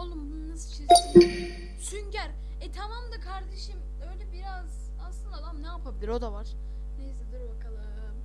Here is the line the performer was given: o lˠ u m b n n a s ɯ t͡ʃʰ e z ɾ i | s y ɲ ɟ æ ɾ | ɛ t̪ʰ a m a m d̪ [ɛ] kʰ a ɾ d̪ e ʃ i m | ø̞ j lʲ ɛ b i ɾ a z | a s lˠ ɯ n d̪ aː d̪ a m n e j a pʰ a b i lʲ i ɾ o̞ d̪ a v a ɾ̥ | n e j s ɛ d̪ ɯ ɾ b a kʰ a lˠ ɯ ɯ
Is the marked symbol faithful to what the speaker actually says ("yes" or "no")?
no